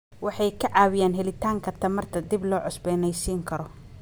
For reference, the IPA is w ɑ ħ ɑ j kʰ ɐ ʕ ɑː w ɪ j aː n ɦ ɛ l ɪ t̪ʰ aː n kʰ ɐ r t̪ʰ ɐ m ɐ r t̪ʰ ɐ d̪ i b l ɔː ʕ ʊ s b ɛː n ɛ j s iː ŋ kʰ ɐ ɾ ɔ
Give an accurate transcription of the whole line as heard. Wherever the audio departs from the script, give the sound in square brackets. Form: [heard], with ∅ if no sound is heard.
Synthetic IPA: w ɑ ħ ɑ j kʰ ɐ ʕ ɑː w ɪ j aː n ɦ ɛ l ɪ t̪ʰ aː [ŋ] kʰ ɐ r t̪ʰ ɐ m ɐ r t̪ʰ ɐ d̪ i b l ɔː ʕ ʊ s b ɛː n ɛ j s iː ŋ kʰ ɐ ɾ ɔ